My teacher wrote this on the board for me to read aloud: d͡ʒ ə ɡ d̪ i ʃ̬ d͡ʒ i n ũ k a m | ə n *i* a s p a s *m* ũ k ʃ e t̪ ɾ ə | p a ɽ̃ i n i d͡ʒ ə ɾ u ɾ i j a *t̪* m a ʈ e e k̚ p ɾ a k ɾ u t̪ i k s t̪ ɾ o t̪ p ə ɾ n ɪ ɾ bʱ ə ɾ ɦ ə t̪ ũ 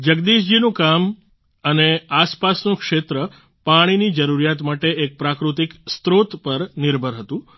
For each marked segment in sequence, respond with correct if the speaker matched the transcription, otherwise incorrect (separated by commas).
incorrect, incorrect, correct